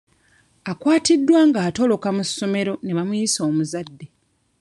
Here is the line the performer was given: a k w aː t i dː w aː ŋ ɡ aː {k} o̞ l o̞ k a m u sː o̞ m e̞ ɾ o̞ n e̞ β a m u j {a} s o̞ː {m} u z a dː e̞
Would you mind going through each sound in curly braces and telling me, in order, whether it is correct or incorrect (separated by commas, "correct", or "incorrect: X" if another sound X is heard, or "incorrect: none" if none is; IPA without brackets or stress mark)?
incorrect: t, incorrect: i, correct